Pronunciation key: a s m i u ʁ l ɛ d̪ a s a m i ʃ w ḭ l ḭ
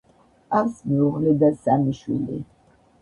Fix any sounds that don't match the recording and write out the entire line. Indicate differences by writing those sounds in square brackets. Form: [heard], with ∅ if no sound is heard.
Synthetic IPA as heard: a s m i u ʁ l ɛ d̪ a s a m i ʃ w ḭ l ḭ